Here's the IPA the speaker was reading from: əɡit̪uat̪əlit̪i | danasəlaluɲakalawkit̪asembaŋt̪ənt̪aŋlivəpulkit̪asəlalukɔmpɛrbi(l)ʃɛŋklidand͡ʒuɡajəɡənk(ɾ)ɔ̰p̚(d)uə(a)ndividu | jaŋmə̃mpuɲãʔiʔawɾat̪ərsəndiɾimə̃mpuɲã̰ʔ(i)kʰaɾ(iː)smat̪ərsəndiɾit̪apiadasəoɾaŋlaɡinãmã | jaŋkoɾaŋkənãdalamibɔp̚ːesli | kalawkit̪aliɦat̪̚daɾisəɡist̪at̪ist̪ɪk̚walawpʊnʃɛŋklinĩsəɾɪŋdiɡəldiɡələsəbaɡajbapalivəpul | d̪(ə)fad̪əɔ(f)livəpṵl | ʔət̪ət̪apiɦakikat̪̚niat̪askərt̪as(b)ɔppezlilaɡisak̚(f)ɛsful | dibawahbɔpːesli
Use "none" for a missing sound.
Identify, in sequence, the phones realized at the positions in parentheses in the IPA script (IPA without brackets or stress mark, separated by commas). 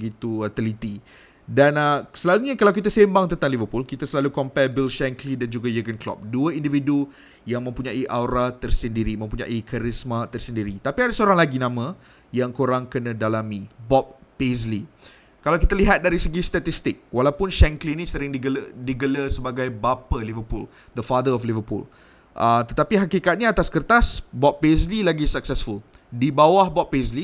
l, l, d, i, i, i, ə, f, b, s